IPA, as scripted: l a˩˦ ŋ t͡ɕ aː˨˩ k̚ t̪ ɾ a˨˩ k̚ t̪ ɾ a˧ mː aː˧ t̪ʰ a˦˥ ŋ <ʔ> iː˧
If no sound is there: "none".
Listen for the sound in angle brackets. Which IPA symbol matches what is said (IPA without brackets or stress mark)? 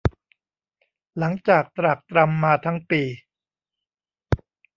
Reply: p